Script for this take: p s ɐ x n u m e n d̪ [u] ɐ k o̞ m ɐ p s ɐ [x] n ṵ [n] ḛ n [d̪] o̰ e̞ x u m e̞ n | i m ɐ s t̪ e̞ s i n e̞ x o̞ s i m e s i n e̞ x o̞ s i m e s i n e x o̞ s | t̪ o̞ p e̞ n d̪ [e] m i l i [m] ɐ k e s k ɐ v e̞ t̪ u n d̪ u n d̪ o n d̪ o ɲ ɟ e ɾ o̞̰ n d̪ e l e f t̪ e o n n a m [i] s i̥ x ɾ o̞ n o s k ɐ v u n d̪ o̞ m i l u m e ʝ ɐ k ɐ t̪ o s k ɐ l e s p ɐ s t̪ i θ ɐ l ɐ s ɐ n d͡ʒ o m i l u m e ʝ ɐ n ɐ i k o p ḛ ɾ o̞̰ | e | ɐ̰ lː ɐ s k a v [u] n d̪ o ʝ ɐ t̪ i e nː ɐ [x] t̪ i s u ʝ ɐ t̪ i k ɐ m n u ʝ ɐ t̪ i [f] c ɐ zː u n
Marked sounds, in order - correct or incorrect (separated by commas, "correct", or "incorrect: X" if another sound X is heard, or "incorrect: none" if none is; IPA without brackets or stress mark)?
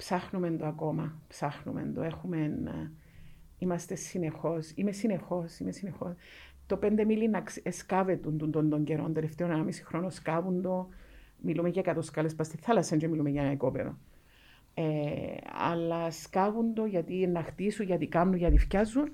incorrect: o, correct, incorrect: m, correct, correct, incorrect: n, correct, correct, correct, correct